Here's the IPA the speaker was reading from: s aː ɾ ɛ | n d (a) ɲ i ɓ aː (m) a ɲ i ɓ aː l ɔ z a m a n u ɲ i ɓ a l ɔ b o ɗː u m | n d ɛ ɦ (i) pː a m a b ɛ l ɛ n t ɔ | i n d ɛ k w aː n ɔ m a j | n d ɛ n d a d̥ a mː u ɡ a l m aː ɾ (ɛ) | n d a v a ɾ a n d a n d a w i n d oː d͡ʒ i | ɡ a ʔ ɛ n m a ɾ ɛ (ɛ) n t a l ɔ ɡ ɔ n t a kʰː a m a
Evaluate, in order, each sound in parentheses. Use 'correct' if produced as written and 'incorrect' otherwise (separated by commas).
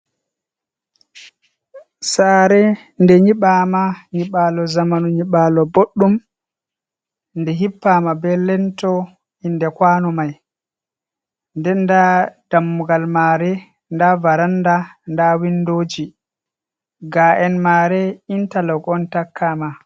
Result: incorrect, correct, correct, correct, incorrect